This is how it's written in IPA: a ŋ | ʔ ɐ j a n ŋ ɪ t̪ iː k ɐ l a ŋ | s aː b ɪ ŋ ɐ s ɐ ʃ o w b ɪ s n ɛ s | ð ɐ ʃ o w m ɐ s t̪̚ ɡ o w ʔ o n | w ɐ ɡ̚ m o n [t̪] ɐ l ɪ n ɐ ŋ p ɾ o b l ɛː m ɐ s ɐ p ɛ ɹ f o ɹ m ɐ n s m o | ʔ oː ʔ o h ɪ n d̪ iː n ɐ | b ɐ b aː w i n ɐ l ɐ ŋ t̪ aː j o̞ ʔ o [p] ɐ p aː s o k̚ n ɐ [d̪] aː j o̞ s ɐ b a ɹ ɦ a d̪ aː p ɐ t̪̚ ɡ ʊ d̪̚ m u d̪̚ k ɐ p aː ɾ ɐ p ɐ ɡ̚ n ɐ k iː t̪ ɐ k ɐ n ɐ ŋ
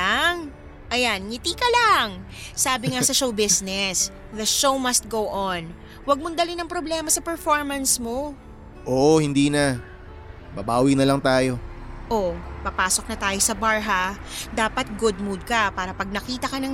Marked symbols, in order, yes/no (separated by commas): no, yes, no